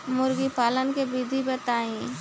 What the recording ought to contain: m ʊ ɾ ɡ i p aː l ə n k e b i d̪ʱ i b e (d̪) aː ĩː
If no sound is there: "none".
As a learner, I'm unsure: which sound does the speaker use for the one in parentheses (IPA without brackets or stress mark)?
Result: t̪